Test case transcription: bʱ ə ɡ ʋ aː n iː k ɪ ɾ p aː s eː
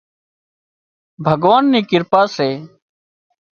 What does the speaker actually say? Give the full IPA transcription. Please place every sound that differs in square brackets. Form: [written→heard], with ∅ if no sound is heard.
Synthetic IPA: bʱ ə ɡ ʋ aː [n→nː] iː k ɪ ɾ p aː s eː